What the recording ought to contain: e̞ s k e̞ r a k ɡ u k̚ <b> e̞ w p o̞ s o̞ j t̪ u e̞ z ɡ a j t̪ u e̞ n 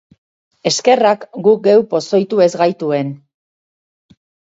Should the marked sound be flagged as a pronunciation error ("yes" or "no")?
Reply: yes